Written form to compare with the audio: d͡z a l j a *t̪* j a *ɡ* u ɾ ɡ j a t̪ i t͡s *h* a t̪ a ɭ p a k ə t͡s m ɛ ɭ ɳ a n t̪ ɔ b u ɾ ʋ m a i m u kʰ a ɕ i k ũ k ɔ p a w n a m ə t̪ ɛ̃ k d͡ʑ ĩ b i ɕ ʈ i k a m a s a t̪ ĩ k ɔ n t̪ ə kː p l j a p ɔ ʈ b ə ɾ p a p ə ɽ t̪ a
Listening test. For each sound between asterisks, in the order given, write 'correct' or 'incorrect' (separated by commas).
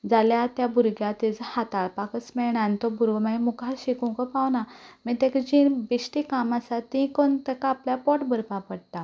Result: correct, incorrect, correct